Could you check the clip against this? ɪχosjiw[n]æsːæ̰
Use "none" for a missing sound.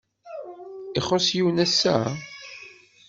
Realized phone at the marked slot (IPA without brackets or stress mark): n